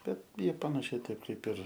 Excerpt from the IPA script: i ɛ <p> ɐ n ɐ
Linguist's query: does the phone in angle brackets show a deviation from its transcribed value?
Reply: no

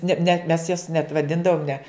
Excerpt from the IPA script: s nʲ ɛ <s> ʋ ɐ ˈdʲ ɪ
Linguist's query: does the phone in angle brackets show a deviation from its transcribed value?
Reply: yes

